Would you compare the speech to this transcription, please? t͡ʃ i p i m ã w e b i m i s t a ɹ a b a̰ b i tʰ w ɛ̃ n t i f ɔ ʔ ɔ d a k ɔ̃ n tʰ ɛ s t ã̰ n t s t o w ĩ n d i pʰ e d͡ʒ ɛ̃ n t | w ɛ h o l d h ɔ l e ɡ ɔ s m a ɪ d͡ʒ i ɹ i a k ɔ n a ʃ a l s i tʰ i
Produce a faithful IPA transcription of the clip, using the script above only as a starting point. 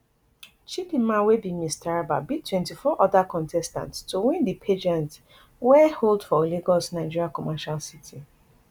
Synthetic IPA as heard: t͡ʃ i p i m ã w e b i m i s t a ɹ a b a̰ b i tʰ w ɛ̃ n t i f ɔ ʔ ɔ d a k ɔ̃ n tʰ ɛ s t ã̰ n t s t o w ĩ n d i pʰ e d͡ʒ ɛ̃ n t | w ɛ h o l d f ɔ l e ɡ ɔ s n a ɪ d͡ʒ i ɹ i a k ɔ m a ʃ a l s i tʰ i